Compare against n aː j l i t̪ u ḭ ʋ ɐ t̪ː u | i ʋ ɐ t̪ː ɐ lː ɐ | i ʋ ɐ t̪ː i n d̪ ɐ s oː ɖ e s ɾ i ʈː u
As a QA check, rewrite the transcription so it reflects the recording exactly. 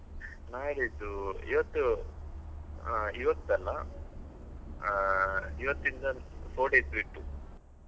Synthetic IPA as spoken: n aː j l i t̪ u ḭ ʋ ɐ t̪ː u | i ʋ ɐ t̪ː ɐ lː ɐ | i ʋ ɐ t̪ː i n d̪ ɐ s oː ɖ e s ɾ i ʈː u